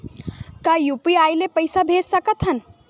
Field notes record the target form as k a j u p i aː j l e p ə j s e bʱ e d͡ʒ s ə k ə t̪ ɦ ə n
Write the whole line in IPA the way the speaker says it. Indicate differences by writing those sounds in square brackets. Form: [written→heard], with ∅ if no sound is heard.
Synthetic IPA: k a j u p i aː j l e p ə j s [e→a] bʱ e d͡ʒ s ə k ə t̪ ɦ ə n